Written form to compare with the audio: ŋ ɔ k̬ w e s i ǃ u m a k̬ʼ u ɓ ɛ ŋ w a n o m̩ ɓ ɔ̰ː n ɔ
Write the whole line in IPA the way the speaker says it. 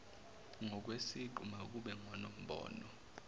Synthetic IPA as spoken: ŋ ɔ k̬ w e s i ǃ u m a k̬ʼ u ɓ ɛ ŋ w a n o m̩ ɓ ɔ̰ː n ɔ